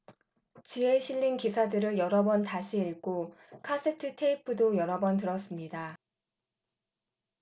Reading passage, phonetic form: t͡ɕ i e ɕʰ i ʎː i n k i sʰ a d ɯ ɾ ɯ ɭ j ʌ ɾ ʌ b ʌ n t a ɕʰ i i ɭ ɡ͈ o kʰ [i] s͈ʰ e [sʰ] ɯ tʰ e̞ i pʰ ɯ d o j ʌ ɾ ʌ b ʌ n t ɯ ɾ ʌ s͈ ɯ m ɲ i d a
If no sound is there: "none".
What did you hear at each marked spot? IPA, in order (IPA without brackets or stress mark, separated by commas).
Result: a, tʰ